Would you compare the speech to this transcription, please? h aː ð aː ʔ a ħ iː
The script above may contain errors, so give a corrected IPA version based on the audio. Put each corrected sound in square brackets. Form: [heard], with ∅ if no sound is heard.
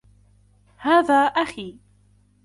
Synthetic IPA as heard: h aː ð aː ʔ a [x] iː